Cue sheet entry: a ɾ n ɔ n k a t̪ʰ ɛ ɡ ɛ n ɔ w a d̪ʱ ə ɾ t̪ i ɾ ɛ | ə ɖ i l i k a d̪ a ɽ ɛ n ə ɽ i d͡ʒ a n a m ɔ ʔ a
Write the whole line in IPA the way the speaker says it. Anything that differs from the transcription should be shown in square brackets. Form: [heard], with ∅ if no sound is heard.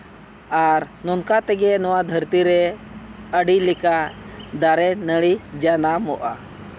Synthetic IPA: a ɾ n ɔ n k a [t̪] ɛ ɡ ɛ n ɔ w a d̪ʱ ə ɾ t̪ i ɾ ɛ | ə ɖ i l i k a d̪ a [ɾ] ɛ n ə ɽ i d͡ʒ a n a m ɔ ʔ a